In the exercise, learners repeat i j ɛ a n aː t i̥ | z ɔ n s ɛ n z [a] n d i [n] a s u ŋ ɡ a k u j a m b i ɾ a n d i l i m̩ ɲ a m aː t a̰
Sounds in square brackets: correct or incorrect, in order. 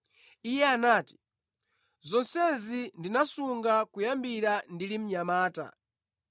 incorrect: i, correct

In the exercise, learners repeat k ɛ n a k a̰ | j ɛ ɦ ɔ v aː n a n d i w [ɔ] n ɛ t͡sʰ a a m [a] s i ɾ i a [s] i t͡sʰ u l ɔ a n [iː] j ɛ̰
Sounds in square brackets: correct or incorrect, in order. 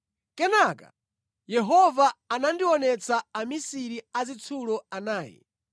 correct, incorrect: i, incorrect: z, incorrect: aː

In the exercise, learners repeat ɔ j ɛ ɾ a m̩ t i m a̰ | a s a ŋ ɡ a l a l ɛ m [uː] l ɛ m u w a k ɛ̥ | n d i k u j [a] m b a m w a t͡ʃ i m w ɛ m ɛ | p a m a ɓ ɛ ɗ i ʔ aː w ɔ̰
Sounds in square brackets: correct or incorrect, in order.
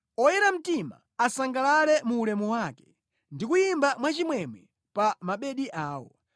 correct, incorrect: i

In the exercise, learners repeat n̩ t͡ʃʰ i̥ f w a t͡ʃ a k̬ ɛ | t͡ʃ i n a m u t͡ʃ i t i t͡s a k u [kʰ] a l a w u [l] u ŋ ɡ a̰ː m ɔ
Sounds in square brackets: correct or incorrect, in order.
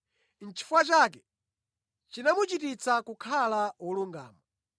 correct, correct

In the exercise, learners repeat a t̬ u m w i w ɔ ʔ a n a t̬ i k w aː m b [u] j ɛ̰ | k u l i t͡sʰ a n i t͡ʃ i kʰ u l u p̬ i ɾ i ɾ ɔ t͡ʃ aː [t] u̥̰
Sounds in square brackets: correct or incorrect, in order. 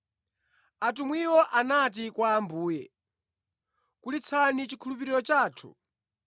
incorrect: uː, incorrect: tʰ

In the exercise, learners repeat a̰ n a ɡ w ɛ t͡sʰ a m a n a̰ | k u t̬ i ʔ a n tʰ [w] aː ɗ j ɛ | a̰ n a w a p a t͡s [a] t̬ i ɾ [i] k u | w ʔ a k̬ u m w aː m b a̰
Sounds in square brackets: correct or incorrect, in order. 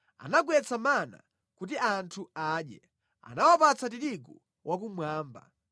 incorrect: u, correct, correct

